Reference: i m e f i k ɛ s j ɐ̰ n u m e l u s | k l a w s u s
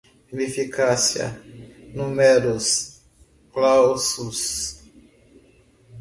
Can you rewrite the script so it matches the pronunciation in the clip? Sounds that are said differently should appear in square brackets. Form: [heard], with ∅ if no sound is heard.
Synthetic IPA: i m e f i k [a] s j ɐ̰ n u m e [ɾ] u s | k l a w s u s